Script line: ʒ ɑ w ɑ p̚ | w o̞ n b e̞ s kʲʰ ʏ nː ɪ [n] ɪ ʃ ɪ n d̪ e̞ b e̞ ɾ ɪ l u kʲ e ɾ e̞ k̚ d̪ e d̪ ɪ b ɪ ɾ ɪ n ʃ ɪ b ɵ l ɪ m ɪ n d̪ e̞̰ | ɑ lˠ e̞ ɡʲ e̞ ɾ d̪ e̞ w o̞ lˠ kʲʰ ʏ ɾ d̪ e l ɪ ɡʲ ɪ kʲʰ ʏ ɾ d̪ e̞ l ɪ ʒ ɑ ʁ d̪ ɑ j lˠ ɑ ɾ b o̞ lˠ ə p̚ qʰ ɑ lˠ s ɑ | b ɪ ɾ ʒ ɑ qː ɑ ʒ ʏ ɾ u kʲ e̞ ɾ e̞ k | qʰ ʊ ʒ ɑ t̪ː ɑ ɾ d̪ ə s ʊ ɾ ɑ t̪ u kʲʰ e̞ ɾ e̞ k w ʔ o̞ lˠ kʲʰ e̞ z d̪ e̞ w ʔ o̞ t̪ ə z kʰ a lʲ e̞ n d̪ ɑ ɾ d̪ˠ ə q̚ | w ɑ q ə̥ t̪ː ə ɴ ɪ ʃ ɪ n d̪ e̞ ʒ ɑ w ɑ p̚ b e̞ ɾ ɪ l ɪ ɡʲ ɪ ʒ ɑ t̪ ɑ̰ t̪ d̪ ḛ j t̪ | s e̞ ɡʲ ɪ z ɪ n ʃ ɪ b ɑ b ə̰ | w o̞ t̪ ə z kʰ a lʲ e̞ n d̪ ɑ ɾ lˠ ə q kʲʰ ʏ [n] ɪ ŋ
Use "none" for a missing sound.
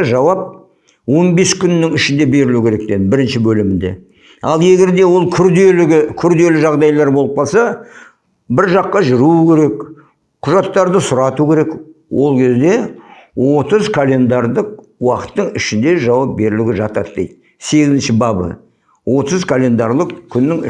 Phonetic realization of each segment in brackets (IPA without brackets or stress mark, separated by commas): ŋ, nː